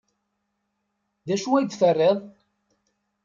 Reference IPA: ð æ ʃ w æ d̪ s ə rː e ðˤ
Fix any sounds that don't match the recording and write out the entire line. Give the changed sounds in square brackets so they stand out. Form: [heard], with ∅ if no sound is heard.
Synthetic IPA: ð æ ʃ [u] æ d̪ [θ] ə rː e ðˤ